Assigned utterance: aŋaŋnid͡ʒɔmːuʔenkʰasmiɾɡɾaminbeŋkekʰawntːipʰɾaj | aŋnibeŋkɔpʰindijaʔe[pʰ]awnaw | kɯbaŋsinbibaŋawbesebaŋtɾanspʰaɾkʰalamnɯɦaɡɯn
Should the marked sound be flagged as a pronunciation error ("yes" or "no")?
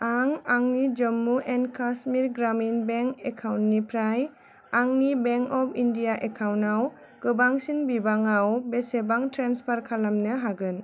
yes